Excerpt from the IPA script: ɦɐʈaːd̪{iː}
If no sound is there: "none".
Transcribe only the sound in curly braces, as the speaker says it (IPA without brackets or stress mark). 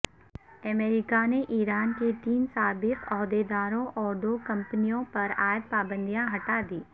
iː